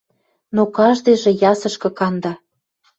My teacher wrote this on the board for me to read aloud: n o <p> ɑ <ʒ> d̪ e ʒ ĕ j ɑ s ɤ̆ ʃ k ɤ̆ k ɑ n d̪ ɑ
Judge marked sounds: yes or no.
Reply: no, yes

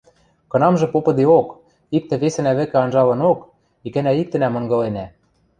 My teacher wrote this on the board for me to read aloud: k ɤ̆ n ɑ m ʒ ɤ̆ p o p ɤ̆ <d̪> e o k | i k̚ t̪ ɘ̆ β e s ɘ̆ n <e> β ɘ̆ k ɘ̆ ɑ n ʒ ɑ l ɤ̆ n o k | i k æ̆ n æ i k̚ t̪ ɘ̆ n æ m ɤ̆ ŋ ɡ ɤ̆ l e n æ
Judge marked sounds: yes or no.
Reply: yes, no

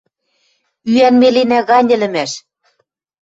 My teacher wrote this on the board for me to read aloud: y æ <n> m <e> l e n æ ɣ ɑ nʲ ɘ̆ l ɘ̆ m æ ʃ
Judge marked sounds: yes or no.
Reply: yes, yes

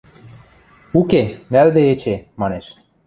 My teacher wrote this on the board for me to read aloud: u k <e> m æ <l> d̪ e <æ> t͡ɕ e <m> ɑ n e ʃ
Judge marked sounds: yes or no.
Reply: yes, yes, no, yes

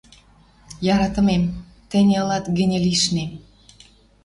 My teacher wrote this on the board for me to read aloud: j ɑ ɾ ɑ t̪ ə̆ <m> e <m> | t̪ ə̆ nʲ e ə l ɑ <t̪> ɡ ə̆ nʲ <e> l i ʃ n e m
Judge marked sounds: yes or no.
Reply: yes, yes, yes, yes

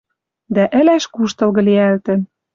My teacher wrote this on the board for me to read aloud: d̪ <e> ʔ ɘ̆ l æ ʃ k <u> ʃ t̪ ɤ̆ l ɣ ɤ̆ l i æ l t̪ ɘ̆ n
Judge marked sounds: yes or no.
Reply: no, yes

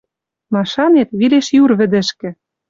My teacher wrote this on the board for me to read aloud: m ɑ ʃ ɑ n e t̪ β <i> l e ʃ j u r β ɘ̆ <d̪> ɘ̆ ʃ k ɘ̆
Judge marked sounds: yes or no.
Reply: yes, yes

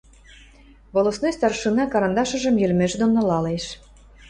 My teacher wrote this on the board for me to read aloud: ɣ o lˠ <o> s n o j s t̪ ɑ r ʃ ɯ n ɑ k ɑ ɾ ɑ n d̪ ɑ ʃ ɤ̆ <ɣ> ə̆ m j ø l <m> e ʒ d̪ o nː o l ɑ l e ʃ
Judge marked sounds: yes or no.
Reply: yes, no, yes

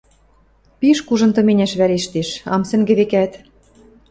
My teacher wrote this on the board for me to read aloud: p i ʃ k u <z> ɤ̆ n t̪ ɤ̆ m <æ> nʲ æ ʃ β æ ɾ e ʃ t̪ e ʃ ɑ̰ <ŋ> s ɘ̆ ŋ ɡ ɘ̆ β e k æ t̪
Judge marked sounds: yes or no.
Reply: no, no, no

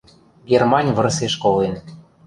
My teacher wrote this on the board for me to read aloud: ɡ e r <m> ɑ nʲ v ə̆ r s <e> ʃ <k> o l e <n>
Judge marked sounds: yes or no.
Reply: yes, yes, yes, yes

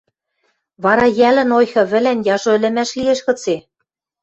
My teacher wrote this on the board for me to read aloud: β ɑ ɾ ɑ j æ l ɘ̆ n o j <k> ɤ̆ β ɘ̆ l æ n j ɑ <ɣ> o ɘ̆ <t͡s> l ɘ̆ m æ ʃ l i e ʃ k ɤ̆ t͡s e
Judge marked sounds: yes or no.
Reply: no, no, no

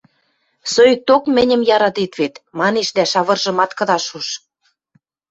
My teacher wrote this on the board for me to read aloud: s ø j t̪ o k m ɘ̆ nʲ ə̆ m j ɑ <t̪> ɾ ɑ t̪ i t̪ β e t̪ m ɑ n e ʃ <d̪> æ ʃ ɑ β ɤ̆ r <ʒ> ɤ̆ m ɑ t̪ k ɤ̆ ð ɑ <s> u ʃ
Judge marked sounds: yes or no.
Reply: no, yes, yes, no

